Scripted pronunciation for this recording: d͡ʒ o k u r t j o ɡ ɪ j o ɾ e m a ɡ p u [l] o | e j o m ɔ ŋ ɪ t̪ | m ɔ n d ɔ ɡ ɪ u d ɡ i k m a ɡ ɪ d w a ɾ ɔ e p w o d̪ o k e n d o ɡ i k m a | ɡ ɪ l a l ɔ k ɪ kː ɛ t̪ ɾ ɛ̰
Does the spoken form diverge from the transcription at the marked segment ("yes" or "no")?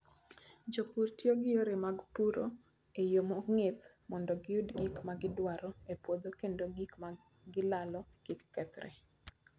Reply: yes